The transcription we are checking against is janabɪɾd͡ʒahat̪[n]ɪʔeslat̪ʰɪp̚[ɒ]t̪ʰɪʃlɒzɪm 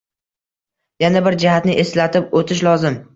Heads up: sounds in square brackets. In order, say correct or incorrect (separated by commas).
correct, incorrect